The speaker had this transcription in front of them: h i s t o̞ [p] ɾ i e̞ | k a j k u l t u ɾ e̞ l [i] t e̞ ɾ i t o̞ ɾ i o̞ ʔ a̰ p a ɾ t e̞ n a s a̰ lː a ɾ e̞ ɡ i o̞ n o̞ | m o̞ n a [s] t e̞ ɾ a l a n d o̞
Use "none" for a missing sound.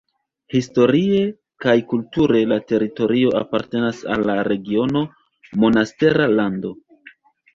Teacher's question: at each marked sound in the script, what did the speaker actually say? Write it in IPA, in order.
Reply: none, a, s

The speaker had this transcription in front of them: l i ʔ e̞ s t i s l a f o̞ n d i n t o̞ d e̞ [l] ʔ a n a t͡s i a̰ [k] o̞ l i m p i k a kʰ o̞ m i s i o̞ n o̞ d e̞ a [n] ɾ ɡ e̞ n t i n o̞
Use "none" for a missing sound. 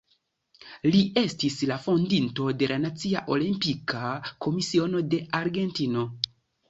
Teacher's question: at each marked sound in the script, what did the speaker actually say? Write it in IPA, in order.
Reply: l, ʔ, none

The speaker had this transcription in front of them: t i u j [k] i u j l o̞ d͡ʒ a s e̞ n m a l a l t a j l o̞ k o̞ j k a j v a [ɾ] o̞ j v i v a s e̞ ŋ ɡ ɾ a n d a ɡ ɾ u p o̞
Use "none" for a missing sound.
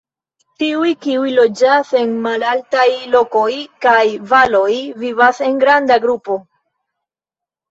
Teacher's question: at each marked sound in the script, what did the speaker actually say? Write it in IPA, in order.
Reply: k, l

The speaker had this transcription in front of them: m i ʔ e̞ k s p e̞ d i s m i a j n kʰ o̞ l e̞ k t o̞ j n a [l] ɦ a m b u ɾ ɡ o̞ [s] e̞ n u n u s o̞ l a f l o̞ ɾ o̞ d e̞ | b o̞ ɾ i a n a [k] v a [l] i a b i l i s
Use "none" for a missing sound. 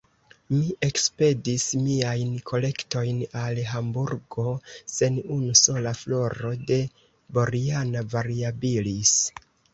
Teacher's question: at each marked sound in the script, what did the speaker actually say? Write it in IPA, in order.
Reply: l, s, none, ɾ

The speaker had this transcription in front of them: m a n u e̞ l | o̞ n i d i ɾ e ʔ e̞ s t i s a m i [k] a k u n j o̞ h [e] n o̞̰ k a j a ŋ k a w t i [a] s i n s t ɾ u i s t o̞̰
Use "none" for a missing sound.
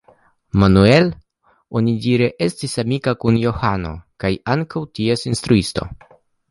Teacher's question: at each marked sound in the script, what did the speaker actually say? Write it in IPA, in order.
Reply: k, a, e

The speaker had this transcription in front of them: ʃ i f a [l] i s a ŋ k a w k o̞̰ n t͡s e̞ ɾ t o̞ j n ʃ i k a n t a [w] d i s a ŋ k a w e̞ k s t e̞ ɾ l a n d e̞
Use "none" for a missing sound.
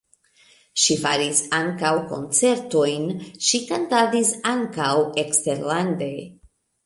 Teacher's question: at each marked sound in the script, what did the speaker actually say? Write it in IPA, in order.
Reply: ɾ, none

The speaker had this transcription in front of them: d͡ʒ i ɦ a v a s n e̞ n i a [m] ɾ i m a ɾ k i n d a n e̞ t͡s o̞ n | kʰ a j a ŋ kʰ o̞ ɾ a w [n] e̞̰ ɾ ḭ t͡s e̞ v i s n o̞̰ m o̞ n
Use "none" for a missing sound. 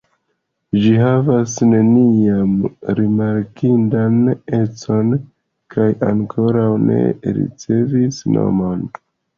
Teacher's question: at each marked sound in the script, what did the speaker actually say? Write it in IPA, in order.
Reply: m, n

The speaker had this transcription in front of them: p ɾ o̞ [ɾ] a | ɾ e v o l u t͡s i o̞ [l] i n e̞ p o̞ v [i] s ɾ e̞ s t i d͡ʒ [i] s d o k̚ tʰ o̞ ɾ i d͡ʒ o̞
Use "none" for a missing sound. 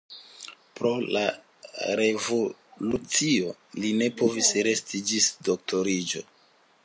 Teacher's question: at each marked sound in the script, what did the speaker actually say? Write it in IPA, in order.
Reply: l, l, i, i

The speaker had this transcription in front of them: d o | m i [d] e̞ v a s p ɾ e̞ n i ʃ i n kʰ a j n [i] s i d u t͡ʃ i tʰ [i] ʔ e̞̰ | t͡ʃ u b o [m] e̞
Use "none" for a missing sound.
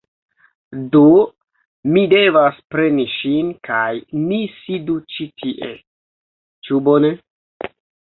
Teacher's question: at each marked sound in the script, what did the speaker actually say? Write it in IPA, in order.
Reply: d, i, i, n

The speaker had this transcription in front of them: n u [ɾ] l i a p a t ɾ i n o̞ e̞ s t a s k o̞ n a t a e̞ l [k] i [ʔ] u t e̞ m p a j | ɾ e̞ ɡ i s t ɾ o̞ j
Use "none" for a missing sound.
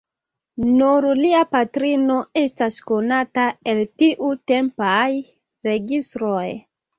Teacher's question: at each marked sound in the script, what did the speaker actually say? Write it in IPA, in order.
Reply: ɾ, t, ʔ

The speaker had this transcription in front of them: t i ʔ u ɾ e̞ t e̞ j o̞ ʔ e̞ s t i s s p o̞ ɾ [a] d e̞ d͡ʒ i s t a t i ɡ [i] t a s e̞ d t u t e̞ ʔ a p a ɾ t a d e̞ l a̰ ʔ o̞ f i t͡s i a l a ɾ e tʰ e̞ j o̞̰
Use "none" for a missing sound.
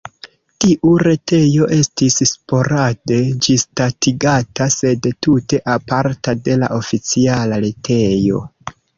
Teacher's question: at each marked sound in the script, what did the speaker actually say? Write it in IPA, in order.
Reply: a, a

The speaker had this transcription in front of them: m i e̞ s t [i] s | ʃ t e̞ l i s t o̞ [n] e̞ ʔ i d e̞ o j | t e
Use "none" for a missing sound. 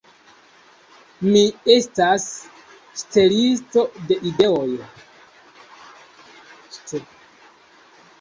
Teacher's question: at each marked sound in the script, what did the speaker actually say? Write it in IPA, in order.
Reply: a, d

